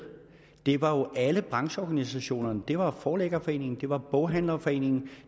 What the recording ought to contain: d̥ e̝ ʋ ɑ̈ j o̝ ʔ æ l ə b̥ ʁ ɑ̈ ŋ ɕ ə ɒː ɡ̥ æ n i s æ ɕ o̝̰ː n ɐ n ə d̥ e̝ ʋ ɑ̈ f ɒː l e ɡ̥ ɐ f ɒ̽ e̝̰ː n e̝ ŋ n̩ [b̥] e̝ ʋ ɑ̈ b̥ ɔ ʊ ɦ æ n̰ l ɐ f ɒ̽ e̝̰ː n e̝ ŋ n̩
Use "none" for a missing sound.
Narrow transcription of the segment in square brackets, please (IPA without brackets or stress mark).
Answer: d̥